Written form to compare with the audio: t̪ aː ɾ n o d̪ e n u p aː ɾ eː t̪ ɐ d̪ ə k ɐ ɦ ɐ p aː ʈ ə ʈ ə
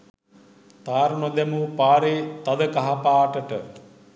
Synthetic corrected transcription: t̪ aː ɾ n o d̪ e m u p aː ɾ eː t̪ ɐ d̪ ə k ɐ ɦ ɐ p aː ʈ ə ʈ ə